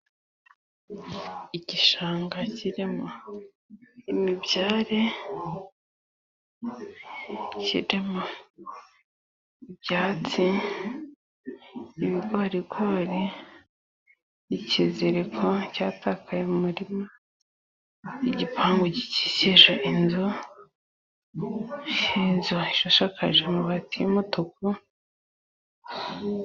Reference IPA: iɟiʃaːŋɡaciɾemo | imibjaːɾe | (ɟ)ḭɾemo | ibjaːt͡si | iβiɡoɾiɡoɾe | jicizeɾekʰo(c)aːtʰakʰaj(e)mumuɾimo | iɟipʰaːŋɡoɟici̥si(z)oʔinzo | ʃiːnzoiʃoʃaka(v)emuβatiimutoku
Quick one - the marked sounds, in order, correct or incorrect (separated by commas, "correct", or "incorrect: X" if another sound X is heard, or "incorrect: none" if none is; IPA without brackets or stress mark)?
incorrect: c, correct, correct, incorrect: ʒ, incorrect: ʒ